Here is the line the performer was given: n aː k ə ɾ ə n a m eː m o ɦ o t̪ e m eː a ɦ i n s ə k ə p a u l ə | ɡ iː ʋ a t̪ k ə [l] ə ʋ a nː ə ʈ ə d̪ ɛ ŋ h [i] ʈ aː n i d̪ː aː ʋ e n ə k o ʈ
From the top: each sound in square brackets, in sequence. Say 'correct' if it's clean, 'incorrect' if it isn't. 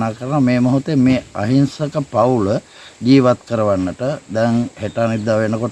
incorrect: ɾ, incorrect: e

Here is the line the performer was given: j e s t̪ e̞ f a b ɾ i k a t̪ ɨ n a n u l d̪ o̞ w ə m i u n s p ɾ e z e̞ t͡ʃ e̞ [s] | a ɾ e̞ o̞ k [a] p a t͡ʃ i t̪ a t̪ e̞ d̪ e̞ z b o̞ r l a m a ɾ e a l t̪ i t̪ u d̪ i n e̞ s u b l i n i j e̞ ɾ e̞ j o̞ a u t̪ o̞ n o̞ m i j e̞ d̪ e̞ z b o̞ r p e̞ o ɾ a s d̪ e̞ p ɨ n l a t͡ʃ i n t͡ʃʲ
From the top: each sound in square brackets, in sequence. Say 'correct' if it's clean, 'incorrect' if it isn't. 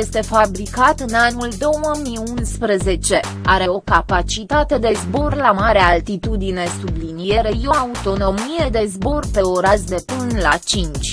incorrect: none, correct

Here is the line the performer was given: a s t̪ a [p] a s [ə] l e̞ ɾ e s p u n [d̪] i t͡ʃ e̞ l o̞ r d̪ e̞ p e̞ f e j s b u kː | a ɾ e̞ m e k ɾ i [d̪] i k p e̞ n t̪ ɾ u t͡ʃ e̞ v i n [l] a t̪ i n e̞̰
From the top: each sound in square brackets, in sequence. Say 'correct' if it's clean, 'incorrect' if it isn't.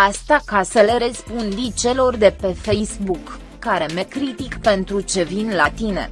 incorrect: k, correct, correct, incorrect: t̪, correct

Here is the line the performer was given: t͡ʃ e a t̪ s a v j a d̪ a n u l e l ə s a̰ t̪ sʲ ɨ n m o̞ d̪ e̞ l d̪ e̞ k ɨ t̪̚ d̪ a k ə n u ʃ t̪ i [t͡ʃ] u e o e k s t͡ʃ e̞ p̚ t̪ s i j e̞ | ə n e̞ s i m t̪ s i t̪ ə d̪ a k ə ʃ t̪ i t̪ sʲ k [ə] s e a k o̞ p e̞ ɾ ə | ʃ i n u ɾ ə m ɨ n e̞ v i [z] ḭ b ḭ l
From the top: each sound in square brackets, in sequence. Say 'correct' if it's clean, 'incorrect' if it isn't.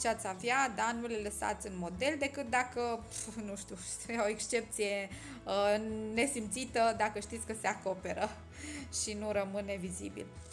incorrect: none, correct, correct

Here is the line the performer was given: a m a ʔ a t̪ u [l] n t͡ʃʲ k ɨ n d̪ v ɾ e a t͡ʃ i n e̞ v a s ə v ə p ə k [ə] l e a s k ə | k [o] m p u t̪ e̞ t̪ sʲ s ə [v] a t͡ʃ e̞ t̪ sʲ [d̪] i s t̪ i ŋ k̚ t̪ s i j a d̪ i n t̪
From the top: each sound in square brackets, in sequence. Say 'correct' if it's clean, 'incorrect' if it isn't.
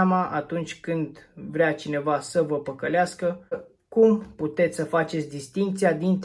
incorrect: none, correct, incorrect: u, incorrect: f, correct

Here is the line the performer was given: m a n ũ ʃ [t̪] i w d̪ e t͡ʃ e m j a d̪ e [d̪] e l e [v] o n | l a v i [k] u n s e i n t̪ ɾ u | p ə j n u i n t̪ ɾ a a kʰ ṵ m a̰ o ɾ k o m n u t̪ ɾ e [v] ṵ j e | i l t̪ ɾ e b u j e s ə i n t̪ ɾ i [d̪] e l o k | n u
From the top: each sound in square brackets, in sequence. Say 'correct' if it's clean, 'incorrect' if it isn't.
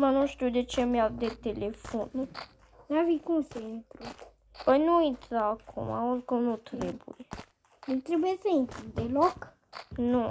correct, incorrect: t̪, incorrect: f, correct, incorrect: b, correct

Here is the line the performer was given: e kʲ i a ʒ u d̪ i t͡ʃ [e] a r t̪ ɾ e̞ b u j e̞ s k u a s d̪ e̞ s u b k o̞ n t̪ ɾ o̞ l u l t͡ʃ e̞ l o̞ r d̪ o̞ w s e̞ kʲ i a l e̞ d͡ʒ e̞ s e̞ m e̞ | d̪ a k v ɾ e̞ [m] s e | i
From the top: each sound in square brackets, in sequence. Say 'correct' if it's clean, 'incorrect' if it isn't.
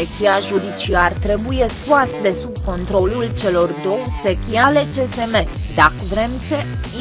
incorrect: i, correct

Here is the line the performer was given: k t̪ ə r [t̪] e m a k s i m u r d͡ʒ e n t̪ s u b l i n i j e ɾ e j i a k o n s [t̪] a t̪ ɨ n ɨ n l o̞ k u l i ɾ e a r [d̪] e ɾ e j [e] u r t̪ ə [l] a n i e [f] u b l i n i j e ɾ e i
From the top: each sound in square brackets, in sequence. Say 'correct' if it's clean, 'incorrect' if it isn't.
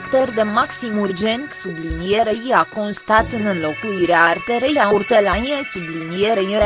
incorrect: d̪, correct, incorrect: t̪, incorrect: a, correct, incorrect: s

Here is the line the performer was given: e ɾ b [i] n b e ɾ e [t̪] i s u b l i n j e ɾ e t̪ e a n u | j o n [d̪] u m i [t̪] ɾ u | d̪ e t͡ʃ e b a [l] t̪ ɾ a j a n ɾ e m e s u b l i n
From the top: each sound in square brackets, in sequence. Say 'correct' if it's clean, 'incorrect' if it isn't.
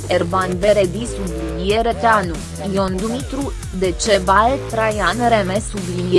incorrect: a, incorrect: d̪, correct, correct, correct

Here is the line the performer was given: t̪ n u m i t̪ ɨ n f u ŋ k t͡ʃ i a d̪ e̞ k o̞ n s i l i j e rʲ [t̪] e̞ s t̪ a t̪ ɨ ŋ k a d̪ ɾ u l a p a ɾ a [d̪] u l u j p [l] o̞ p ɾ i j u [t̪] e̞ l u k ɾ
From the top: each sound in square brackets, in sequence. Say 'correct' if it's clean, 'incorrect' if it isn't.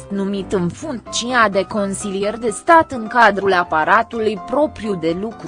incorrect: d̪, incorrect: t̪, incorrect: ɾ, incorrect: d̪

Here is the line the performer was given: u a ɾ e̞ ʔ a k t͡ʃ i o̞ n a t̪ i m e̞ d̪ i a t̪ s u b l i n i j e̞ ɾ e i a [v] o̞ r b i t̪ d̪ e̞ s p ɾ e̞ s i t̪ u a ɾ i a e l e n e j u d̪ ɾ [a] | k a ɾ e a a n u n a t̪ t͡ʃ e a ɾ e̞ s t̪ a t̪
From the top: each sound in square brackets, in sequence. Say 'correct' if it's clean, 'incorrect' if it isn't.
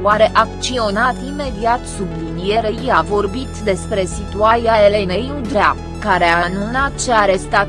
correct, correct

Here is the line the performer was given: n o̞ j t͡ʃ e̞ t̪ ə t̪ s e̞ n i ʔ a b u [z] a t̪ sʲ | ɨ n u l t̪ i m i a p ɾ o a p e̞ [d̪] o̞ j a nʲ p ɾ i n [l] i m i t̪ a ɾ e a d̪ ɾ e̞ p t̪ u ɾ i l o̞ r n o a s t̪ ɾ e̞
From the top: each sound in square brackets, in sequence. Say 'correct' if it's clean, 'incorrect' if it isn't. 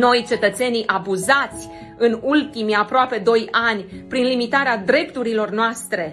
correct, correct, correct

